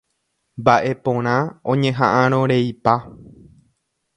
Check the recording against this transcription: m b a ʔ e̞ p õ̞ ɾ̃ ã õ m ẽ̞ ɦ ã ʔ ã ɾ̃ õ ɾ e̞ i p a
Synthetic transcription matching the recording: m b a ʔ e̞ p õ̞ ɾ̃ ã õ ɲ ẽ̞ ɦ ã ʔ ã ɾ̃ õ ɾ e̞ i p a